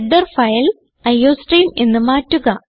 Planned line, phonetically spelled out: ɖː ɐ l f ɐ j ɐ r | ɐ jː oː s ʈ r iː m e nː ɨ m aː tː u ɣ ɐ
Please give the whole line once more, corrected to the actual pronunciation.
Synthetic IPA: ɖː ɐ r f ɐ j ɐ l | ɐ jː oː s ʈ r iː m e nː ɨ m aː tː u ɣ ɐ